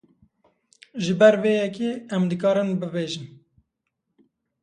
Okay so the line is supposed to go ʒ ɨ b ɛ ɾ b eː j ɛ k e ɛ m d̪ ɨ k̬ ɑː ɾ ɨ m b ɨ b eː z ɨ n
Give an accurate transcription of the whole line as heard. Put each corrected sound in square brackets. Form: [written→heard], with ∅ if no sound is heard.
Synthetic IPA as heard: ʒ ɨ b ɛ ɾ [b→v] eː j ɛ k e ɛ m d̪ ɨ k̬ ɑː ɾ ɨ [m→n] b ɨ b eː [z→ʒ] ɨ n